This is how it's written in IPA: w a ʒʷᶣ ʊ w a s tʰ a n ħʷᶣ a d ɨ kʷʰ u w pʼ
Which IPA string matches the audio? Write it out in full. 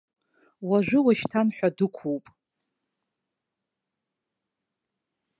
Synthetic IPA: w a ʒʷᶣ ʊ w a ʃ tʰ a n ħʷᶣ a d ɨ kʷʰ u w pʼ